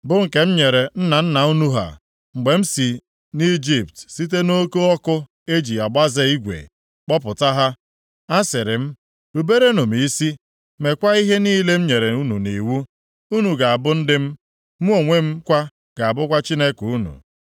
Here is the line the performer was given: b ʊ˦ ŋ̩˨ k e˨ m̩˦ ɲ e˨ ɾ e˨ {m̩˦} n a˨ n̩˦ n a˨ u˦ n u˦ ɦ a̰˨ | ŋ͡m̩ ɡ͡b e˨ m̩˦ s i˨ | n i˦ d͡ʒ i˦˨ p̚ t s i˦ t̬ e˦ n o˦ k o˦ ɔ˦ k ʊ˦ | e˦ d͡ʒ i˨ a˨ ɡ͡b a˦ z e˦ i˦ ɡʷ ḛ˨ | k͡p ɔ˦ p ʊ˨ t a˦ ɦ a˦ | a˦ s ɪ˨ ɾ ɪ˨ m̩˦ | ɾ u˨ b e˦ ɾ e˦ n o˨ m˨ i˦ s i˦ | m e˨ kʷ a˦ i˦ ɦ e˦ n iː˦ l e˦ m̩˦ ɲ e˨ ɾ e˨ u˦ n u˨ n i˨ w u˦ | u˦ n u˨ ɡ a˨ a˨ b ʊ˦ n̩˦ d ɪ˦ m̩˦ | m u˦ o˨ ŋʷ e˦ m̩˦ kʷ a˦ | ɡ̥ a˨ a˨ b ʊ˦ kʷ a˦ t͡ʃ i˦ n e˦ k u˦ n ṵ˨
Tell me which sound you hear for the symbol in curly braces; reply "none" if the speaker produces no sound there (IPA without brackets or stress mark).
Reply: n̩˦